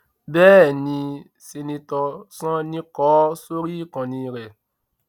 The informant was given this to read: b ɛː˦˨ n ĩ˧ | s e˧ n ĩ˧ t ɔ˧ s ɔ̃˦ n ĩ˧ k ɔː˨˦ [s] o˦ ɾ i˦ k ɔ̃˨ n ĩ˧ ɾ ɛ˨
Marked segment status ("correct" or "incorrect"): correct